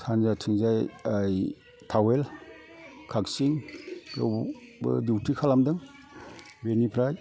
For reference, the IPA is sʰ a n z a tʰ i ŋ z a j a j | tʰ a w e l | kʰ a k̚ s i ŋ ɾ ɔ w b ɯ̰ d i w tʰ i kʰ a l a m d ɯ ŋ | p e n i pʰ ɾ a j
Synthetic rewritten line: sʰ a n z a tʰ i ŋ z a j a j | tʰ a w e l | kʰ a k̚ s i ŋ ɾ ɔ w b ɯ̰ d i w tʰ i kʰ a l a m d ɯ ŋ | b e n i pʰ ɾ a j